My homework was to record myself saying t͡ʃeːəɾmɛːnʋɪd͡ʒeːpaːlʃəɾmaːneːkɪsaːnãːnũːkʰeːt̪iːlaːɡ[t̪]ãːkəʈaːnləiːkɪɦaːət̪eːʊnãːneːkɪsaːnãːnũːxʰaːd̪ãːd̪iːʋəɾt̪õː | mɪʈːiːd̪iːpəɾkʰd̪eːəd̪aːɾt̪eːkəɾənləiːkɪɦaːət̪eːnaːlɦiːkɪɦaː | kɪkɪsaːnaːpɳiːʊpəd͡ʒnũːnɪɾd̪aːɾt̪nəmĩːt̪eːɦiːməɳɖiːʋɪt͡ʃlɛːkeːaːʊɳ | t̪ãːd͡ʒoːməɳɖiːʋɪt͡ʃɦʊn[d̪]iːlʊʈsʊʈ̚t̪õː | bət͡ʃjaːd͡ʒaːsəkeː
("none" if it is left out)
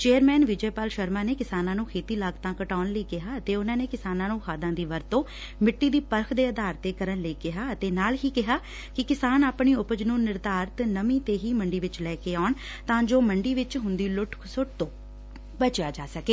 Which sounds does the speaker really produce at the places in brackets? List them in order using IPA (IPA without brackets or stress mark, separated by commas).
t̪, d̪